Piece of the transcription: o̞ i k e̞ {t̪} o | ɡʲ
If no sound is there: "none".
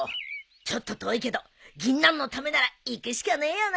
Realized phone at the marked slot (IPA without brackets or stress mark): d̪